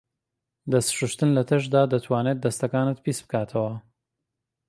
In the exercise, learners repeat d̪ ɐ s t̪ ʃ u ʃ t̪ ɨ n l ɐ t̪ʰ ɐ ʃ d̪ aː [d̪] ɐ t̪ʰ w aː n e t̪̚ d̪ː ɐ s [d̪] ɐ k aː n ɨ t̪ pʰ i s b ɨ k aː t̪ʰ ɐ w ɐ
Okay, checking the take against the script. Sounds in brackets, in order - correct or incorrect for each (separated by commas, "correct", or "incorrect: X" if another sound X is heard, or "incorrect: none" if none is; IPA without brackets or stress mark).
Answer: correct, incorrect: t̪